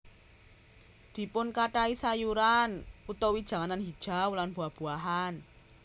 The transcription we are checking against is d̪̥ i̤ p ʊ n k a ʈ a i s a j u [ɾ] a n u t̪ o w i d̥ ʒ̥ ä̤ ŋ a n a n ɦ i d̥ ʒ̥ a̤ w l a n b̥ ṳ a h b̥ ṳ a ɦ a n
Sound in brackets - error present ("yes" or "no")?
no